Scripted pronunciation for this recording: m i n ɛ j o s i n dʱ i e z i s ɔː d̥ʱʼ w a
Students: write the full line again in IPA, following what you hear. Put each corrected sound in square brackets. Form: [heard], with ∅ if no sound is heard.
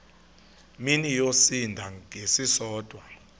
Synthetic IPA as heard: m i n [i] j o s i n dʱ [a] e [s] i s ɔː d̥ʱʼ w a

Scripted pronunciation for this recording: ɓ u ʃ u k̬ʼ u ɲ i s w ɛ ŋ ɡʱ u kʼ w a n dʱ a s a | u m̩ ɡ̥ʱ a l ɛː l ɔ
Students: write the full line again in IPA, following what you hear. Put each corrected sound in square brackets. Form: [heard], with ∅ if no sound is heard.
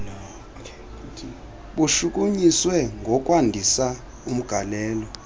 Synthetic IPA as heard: ɓ u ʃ u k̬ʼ u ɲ i s w ɛ ŋ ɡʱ [ɔ] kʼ w a n dʱ [i] s a | u m̩ ɡ̥ʱ a l ɛː l ɔ

